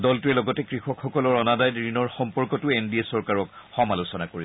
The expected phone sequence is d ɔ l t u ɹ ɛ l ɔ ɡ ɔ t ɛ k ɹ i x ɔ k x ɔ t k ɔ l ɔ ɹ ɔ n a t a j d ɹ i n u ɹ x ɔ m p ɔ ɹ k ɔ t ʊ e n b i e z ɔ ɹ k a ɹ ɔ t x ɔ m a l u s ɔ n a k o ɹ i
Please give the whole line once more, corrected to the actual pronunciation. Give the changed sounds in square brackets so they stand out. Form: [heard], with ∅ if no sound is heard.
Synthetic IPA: d ɔ l t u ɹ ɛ l ɔ ɡ ɔ t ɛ k ɹ i x ɔ k x ɔ [∅] k ɔ l ɔ ɹ ɔ n a [d] a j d ɹ i n [ɔ] ɹ x ɔ m p ɔ ɹ k ɔ t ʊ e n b i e [s] ɔ ɹ k a ɹ ɔ [k] x ɔ m a l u s ɔ n a k o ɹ i